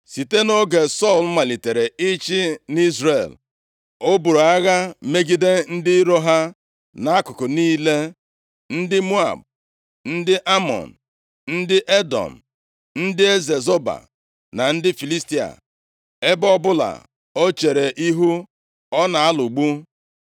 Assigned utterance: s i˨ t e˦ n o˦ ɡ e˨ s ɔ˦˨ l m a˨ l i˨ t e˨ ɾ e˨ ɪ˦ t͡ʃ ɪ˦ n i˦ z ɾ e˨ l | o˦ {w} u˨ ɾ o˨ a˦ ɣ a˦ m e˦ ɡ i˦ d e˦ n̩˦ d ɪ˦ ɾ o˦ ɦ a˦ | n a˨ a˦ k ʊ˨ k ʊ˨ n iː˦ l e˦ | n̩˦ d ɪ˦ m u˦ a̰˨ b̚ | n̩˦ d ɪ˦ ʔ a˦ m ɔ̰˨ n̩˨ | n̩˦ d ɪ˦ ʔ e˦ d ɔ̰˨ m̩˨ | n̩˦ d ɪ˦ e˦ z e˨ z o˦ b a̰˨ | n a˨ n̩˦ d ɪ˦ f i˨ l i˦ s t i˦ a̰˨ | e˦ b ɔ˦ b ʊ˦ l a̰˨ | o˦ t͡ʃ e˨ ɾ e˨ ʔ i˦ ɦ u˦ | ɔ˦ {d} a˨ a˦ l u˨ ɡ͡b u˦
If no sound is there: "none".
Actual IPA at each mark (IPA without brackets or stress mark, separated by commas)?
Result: b, n